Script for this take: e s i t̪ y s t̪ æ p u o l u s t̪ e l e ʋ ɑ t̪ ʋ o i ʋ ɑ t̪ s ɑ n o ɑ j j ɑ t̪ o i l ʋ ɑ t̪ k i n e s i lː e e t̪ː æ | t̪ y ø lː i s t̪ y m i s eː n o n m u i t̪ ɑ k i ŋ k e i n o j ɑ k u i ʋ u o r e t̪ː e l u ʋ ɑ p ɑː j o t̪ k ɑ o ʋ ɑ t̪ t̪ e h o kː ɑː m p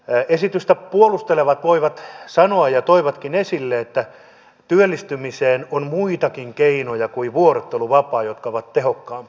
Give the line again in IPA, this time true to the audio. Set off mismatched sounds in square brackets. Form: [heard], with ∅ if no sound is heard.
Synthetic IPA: e s i t̪ y s t̪ æ p u o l u s t̪ e l e ʋ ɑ t̪ ʋ o i ʋ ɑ t̪ s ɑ n o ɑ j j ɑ t̪ o i [∅] ʋ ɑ t̪ k i n e s i lː e e t̪ː æ | t̪ y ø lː i s t̪ y m i s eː n o n m u i t̪ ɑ k i ŋ k e i n o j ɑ k u i ʋ u o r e t̪ː e l u ʋ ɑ p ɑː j o t̪ k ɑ o ʋ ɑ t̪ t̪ e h o kː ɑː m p